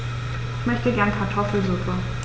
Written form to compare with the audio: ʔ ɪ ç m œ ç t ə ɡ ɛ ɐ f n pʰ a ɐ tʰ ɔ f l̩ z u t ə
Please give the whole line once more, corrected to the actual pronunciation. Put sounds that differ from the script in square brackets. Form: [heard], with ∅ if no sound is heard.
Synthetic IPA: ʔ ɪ ç m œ ç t ə ɡ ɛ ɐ [∅] n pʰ a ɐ tʰ ɔ f l̩ z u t ə